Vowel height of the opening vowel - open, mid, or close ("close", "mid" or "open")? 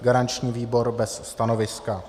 open